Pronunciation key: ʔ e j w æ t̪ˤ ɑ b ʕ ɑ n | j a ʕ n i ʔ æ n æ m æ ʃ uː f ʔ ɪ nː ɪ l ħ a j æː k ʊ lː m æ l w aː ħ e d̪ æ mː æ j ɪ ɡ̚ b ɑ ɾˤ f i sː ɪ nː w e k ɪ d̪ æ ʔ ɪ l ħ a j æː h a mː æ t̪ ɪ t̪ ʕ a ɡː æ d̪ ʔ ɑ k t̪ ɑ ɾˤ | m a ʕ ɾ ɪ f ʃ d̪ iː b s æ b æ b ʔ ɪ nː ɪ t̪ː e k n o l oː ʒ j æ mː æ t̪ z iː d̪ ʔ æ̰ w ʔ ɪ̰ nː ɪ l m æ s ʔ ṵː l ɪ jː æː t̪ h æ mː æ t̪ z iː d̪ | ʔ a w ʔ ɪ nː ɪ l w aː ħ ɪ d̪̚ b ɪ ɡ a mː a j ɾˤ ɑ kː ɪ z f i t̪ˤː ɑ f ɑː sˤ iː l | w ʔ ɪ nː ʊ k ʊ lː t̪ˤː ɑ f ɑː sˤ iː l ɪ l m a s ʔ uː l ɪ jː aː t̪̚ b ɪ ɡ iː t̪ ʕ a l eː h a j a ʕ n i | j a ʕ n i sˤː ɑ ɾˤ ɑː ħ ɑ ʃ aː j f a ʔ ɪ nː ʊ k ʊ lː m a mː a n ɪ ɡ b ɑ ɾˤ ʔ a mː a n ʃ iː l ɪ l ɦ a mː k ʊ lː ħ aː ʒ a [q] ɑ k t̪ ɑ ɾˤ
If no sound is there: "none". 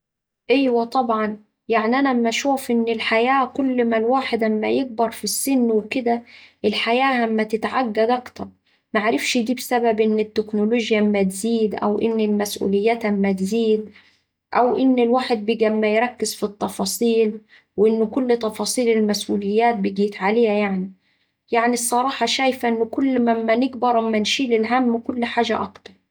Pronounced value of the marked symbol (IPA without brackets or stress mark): ʔ